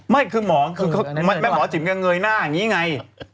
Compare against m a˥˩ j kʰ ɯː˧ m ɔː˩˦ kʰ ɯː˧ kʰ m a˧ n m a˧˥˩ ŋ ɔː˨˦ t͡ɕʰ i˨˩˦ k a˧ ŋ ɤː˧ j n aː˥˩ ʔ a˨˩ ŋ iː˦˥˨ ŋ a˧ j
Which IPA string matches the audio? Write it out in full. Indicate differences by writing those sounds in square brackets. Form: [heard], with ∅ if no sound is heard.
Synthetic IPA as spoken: m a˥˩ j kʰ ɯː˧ m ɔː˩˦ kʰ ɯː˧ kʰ m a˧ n m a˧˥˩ [m] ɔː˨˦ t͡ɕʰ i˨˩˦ k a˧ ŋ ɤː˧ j n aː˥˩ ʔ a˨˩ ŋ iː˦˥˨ ŋ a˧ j